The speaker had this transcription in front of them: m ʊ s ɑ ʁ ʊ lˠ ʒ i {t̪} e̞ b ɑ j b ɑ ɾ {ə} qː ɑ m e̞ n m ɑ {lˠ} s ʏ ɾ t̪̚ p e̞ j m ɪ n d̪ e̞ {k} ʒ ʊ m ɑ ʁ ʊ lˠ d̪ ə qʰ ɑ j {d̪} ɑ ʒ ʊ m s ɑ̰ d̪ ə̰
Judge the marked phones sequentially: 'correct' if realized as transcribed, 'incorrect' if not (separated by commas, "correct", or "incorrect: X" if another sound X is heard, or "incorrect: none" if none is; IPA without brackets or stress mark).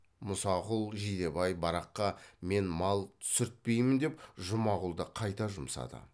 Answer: incorrect: d̪, incorrect: ɑ, correct, incorrect: p, incorrect: t̪